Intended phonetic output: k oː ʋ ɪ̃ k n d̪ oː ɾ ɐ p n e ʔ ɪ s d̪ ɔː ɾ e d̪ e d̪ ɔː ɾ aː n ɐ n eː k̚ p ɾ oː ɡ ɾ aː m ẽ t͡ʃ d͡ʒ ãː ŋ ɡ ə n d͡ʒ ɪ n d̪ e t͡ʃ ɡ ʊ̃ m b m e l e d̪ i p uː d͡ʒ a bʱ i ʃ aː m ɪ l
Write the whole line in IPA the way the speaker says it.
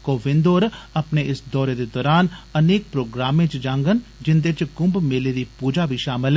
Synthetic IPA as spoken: k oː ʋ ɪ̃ n d̪ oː ɾ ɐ p n e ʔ ɪ s d̪ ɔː ɾ e d̪ e d̪ ɔː ɾ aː n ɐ n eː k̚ p ɾ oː ɡ ɾ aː m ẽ t͡ʃ d͡ʒ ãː ŋ ɡ ə n d͡ʒ ɪ n d̪ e t͡ʃ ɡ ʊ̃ m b m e l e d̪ i p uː d͡ʒ a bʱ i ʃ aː m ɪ l